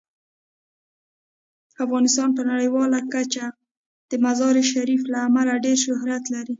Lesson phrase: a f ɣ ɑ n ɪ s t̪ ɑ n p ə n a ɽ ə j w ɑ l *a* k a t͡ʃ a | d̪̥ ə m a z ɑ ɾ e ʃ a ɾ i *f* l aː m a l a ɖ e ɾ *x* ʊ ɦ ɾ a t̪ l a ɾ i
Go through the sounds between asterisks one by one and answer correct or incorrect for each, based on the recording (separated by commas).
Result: correct, correct, incorrect